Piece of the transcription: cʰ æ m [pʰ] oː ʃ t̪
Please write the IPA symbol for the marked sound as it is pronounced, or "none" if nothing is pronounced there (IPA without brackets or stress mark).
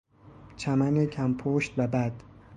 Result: pʰ